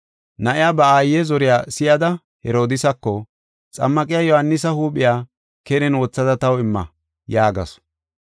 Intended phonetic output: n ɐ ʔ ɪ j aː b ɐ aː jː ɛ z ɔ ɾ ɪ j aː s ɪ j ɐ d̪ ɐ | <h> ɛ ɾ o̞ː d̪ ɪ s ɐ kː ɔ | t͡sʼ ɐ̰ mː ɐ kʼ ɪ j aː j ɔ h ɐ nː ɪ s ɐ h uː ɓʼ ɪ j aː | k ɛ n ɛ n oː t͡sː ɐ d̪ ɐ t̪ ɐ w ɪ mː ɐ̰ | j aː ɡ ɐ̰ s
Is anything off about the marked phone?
no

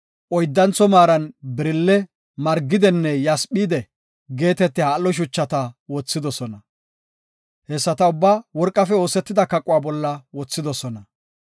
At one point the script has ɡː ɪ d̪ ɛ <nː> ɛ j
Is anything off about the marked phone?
no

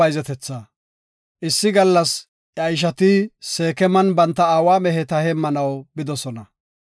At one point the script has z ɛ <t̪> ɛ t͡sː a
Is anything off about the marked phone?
no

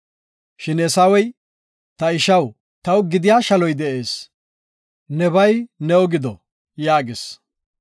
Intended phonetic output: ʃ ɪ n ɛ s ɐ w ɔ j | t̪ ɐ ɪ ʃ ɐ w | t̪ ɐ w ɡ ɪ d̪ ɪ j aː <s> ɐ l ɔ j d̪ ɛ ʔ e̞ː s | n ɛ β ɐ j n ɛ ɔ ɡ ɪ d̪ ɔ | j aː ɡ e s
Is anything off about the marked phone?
yes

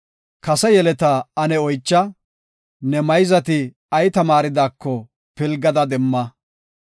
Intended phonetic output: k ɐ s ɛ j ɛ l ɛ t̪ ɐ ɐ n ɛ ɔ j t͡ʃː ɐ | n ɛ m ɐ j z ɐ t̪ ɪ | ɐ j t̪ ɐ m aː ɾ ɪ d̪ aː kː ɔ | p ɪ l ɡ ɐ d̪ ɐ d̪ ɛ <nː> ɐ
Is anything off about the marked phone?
yes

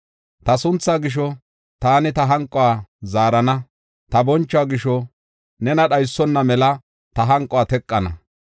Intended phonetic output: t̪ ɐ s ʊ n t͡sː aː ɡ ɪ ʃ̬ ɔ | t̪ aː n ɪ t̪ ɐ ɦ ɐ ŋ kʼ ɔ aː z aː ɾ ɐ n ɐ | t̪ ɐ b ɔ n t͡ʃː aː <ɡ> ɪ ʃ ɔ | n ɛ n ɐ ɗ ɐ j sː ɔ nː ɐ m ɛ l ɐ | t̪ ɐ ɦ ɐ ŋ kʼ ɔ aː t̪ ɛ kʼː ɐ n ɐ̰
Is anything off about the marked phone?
no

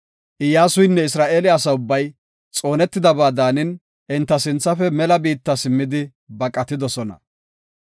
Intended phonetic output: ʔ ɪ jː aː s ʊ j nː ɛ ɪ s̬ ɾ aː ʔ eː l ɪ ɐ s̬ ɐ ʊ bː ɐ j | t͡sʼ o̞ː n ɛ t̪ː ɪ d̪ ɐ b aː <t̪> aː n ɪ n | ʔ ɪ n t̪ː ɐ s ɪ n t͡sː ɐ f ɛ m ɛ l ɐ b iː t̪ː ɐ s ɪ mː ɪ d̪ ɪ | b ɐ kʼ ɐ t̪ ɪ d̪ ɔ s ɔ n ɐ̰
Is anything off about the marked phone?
yes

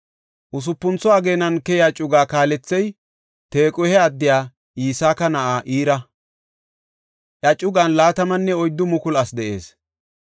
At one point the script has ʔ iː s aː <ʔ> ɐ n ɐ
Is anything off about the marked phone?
yes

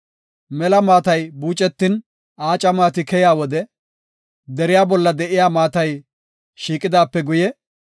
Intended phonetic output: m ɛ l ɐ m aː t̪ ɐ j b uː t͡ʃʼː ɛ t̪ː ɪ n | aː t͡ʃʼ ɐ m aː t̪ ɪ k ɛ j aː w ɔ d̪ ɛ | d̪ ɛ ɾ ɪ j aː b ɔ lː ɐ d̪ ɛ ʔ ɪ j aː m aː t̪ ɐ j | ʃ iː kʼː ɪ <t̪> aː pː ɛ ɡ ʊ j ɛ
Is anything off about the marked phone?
yes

